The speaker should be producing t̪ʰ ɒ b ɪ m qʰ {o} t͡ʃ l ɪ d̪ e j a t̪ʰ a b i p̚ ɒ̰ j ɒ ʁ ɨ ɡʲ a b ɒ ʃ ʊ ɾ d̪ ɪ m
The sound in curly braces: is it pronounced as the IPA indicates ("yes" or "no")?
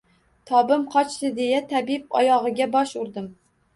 no